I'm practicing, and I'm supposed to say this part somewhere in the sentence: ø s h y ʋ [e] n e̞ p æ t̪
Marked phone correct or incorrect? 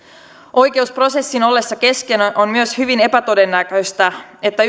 incorrect: i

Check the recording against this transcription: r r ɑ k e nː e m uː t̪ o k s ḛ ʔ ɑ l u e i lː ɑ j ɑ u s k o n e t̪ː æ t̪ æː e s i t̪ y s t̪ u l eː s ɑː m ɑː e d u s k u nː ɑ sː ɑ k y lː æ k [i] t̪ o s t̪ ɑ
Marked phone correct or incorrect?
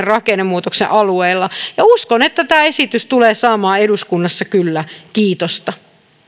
incorrect: iː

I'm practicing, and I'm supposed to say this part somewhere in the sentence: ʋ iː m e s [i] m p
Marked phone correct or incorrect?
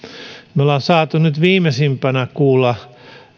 correct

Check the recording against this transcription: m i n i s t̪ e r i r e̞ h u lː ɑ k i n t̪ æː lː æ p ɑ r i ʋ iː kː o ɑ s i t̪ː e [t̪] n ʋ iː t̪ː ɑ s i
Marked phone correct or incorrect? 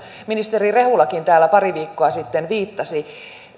incorrect: none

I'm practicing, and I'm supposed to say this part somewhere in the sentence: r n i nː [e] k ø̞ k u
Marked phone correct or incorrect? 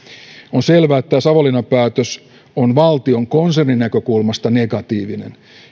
incorrect: æ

